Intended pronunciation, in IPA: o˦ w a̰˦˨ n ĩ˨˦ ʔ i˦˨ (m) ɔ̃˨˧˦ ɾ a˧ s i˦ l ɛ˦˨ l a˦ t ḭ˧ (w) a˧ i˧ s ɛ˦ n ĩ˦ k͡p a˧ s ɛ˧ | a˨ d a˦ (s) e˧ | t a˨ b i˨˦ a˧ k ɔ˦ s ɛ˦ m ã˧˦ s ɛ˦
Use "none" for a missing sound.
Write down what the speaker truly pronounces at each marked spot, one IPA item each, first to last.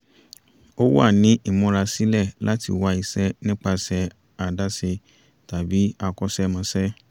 m, w, s

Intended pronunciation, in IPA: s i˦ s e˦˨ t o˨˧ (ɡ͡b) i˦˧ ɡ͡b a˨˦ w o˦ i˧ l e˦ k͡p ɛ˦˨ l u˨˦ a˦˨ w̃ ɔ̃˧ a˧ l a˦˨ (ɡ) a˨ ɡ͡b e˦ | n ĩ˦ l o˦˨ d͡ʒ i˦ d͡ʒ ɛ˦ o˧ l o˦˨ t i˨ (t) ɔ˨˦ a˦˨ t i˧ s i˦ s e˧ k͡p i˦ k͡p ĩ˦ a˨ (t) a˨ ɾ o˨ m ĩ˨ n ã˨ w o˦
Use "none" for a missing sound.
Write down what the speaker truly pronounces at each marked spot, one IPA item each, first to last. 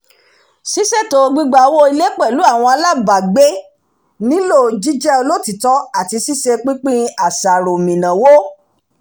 ɡ͡b, b, t, s

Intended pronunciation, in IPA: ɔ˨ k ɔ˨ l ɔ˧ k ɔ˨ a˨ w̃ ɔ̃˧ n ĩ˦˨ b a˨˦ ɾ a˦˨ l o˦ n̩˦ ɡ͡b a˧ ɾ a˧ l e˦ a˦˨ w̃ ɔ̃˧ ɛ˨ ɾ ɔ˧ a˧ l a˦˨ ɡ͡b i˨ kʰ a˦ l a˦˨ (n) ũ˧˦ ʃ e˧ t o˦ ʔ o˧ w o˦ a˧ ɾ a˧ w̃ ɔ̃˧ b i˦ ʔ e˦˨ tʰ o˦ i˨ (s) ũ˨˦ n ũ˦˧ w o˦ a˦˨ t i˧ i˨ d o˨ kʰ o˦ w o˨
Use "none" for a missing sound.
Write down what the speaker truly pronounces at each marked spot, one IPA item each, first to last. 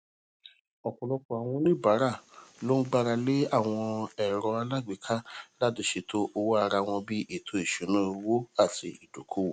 d, ʃ

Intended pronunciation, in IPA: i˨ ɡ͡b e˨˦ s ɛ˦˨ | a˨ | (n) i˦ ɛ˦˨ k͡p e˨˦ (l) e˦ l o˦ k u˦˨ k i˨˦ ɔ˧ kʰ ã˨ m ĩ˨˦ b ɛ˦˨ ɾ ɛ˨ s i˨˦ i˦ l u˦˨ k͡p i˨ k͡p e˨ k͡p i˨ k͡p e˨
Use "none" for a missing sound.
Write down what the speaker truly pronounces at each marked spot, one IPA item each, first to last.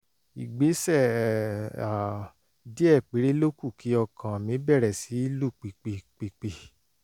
d, ɾ

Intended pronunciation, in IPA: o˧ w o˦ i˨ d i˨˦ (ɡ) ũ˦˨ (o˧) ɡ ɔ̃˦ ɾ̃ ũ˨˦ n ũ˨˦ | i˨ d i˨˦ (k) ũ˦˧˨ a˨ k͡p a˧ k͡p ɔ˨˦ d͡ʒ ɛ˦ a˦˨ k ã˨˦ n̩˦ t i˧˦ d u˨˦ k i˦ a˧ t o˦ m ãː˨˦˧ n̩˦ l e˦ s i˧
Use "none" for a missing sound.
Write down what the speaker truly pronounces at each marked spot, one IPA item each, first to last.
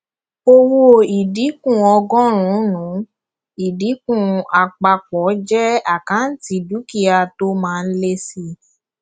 k, ɔ˧, k

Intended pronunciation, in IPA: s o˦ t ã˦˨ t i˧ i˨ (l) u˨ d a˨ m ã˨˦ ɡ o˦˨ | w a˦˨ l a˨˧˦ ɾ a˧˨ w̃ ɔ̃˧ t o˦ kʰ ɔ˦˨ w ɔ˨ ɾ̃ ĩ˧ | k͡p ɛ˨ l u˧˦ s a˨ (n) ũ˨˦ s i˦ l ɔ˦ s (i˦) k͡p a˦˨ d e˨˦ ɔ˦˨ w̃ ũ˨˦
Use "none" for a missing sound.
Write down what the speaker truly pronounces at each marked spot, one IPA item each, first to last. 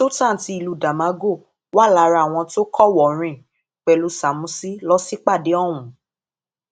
l, m, i˦

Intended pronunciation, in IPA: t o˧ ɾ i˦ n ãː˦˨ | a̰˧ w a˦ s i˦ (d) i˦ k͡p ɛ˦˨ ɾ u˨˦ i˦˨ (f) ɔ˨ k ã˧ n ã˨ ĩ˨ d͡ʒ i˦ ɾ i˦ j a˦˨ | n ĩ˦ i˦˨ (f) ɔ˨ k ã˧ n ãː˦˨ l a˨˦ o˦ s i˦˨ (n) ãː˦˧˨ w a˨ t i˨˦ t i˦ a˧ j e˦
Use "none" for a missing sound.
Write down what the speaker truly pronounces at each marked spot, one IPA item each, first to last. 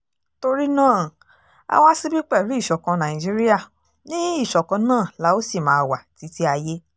b, ʃ, ʃ, m

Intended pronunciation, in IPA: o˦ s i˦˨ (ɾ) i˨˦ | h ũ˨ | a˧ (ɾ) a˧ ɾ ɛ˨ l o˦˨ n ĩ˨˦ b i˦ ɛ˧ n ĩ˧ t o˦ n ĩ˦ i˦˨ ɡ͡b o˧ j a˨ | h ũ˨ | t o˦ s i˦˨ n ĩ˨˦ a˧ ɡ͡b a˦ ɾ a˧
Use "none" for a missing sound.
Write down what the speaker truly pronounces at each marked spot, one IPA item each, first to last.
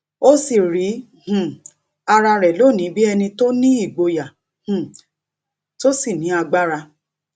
ɾ, ɾ

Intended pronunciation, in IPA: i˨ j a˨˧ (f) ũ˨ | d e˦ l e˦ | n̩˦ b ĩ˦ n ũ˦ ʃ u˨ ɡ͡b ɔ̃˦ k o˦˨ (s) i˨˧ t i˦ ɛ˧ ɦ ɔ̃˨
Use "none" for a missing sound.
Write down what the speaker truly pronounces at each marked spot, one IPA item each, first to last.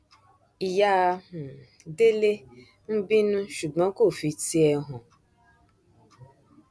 none, f

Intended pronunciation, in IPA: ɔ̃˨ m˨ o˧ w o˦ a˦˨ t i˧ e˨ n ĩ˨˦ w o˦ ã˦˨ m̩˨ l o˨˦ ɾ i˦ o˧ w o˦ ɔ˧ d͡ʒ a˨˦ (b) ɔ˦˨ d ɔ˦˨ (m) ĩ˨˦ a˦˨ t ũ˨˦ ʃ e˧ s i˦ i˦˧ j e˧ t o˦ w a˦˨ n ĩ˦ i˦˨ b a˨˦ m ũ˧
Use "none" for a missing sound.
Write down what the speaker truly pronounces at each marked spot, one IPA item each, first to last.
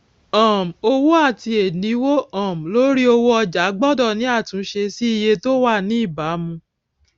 ɡ͡b, n

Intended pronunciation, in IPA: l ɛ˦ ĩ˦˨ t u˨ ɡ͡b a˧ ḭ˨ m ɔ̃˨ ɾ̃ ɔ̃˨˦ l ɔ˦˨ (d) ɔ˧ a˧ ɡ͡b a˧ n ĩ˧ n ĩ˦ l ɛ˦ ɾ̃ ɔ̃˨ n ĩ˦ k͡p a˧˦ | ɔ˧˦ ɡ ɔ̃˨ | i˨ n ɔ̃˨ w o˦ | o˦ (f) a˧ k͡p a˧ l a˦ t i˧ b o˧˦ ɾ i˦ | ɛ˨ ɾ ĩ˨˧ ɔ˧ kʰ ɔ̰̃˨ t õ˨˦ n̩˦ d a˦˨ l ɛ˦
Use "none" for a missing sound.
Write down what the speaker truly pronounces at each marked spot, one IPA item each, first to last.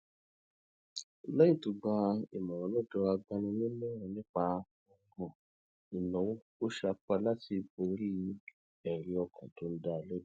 d, ʃ

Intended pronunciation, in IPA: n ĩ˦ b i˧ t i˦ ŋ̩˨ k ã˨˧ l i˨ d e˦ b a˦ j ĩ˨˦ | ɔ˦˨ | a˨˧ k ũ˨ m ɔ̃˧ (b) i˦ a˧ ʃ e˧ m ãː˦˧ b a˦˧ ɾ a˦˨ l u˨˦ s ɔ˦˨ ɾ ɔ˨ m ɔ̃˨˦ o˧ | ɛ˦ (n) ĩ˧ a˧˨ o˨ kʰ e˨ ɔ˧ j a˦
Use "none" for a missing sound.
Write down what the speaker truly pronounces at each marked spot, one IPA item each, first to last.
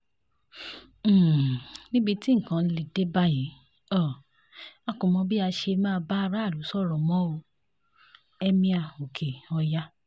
b, m

